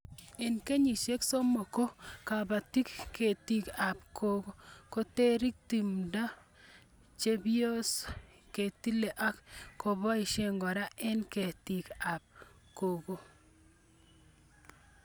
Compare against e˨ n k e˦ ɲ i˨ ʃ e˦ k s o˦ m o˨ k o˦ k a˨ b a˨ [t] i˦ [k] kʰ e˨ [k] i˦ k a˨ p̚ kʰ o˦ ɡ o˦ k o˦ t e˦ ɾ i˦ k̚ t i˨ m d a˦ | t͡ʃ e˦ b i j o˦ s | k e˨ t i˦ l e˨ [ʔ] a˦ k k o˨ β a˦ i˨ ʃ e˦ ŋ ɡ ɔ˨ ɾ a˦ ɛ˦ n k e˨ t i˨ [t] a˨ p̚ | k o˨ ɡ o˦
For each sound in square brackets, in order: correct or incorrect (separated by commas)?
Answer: correct, correct, incorrect, correct, incorrect